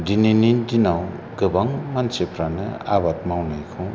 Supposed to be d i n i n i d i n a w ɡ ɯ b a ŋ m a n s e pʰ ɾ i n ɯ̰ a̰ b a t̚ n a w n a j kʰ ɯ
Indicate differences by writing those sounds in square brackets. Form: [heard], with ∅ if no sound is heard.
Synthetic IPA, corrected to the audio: d i n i n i d i n a w ɡ ɯ b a ŋ m a n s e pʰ ɾ [a] n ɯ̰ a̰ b a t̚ [m] a w n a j kʰ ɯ